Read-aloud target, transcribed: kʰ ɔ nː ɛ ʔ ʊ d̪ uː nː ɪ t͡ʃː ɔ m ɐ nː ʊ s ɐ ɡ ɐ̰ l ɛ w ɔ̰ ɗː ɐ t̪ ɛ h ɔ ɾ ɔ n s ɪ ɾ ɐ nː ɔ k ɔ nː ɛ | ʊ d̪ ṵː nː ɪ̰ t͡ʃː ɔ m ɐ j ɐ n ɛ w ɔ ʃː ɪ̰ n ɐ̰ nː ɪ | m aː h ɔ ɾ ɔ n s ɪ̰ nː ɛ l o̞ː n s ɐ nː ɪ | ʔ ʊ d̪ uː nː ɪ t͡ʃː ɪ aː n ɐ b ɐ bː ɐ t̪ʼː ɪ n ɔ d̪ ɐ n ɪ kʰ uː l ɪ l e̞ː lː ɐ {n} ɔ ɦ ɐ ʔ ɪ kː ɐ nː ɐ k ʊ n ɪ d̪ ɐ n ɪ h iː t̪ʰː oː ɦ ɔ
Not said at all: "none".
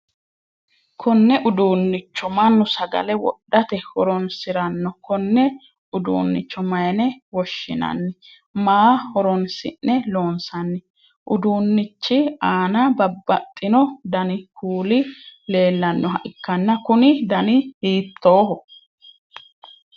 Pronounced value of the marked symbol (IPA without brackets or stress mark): nː